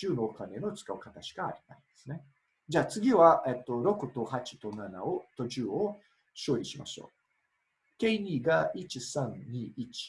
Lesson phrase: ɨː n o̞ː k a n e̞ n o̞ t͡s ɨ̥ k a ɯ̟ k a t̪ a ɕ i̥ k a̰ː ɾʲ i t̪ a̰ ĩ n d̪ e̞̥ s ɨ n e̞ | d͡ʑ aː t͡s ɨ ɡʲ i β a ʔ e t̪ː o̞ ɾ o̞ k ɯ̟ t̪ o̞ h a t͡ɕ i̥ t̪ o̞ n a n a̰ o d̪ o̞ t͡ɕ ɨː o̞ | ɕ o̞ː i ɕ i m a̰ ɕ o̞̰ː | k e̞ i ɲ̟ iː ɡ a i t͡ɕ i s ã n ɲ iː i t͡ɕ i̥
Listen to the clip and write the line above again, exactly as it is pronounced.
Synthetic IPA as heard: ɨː n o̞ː k a n e̞ n o̞ t͡s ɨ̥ k a ɯ̟ k a t̪ a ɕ i̥ k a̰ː ɾʲ i t̪ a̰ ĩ n d̪ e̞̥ s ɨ n e̞ | d͡ʑ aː t͡s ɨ ɡʲ i β a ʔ e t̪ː o̞ ɾ o̞ k ɯ̟ t̪ o̞ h a t͡ɕ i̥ t̪ o̞ n a n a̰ o t̪ o̞ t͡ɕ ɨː o̞ | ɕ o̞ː i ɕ i m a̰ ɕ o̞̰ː | k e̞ i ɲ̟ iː ɡ a i t͡ɕ i s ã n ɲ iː i t͡ɕ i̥

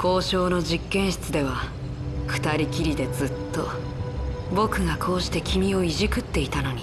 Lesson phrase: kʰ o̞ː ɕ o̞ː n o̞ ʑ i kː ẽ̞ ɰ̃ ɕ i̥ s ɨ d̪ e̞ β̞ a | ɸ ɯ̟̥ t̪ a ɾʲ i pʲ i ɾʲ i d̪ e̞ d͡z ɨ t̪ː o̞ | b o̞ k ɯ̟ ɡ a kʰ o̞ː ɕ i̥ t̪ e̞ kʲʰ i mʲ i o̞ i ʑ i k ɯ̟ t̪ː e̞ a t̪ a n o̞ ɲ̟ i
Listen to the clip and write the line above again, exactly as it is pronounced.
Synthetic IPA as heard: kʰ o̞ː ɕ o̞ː n o̞ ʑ i kː ẽ̞ ɰ̃ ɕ i̥ t͡s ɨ d̪ e̞ β̞ a | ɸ ɯ̟̥ t̪ a ɾʲ i kʲ i ɾʲ i d̪ e̞ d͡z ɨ t̪ː o̞ | b o̞ k ɯ̟ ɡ a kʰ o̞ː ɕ i̥ t̪ e̞ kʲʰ i mʲ i o̞ i ʑ i k ɯ̟ t̪ː e̞ i t̪ a n o̞ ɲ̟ i

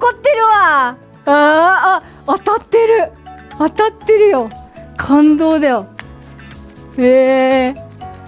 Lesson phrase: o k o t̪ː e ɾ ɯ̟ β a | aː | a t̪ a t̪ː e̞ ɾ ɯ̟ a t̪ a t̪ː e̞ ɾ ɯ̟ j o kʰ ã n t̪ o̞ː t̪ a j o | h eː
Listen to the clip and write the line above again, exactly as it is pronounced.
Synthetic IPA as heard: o k o t̪ː e ɾ ɯ̟ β a | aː | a t̪ a t̪ː e̞ ɾ ɯ̟ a t̪ a t̪ː e̞ ɾ ɯ̟ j o kʰ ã n d̪ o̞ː d̪ a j o | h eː

